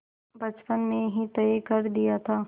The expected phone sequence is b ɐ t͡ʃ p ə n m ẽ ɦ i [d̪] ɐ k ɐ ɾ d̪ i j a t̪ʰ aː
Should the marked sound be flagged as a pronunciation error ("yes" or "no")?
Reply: yes